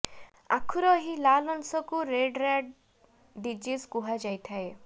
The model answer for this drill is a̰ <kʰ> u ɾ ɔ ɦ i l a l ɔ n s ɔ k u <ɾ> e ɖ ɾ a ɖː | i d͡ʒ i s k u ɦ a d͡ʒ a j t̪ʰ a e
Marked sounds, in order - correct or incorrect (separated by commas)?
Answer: correct, correct